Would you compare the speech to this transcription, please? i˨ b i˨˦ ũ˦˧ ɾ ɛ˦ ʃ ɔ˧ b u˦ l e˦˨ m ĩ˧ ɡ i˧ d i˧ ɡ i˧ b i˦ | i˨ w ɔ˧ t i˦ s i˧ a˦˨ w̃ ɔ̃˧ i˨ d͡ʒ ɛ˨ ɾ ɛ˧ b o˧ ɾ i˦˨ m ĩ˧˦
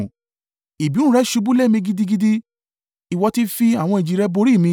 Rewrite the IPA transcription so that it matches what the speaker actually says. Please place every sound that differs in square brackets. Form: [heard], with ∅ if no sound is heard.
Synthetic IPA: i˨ b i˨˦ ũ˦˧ ɾ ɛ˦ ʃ [u˧] b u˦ l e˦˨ m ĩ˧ ɡ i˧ d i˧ ɡ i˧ [d] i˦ | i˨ w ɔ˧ t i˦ [f] i˧ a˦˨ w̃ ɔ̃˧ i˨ d͡ʒ [i˨] ɾ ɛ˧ b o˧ ɾ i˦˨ m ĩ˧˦